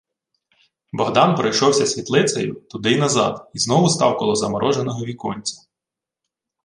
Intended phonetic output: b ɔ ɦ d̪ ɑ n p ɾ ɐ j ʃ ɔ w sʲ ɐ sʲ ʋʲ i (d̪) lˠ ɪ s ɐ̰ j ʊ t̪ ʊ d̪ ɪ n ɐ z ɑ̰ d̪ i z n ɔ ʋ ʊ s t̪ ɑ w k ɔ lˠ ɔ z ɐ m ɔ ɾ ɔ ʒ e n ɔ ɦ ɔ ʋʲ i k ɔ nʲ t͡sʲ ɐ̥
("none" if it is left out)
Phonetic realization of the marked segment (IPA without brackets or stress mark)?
t̪